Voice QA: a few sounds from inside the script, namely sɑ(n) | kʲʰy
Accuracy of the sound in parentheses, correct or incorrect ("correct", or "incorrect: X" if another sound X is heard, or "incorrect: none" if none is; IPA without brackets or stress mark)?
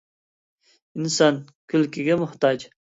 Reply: correct